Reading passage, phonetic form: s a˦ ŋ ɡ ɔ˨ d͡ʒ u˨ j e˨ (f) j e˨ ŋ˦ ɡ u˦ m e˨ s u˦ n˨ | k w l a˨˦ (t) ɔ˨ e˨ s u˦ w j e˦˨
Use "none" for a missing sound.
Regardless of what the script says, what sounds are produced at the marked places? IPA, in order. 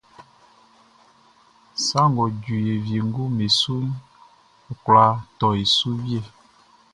v, t

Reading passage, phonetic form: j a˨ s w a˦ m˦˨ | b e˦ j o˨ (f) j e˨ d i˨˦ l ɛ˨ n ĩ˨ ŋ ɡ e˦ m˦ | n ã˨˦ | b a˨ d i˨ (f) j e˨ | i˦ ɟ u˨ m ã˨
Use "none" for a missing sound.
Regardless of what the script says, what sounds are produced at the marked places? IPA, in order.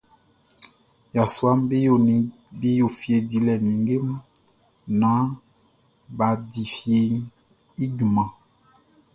f, f

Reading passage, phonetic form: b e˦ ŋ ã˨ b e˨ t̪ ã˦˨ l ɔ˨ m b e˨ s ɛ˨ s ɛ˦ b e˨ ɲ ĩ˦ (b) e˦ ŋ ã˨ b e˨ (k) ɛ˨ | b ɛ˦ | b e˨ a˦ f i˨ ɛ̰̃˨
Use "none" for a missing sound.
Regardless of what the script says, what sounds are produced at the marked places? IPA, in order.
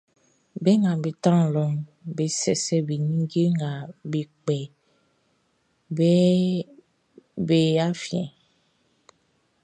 ɡ, k͡p

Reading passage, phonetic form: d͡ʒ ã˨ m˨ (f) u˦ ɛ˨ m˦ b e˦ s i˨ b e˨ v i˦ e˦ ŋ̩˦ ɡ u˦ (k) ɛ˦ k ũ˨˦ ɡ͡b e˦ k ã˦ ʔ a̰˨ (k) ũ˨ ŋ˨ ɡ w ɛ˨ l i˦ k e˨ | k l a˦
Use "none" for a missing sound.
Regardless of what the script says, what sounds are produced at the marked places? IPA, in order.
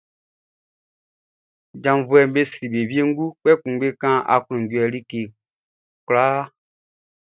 v, k͡p, k

